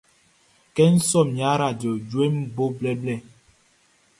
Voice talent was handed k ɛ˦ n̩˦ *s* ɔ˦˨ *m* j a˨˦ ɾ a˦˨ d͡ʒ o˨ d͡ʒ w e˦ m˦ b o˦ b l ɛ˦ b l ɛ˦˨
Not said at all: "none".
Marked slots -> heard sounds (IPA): s, m

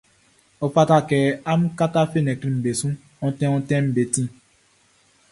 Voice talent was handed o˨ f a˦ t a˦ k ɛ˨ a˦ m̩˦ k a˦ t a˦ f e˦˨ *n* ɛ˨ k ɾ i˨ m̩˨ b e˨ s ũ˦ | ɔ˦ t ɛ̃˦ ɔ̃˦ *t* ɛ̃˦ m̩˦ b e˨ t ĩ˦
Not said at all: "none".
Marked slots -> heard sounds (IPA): n, t

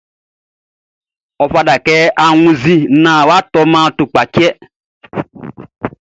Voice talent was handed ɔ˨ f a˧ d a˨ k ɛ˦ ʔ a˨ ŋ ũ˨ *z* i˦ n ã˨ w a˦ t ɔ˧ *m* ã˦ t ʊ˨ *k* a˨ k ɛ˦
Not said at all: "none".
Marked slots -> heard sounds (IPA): z, m, k͡p

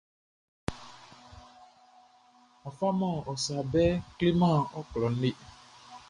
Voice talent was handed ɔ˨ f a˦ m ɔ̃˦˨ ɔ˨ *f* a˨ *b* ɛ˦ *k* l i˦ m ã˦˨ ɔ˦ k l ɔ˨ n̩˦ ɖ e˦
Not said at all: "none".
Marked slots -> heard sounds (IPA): s, b, k

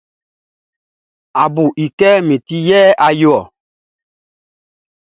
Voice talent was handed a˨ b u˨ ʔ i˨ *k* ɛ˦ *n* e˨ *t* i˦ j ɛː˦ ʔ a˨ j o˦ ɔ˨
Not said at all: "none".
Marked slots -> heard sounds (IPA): k, m, t

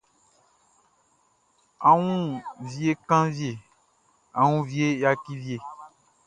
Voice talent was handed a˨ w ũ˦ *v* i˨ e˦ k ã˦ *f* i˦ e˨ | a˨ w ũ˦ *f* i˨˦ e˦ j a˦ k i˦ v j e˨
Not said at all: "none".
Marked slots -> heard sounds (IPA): v, v, v

